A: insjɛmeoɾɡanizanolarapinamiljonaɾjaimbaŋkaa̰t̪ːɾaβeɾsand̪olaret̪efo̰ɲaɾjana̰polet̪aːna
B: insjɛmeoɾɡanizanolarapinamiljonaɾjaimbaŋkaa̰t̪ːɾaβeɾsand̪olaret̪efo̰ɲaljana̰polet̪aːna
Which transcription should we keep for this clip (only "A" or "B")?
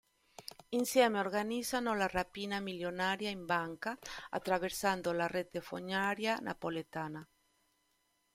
A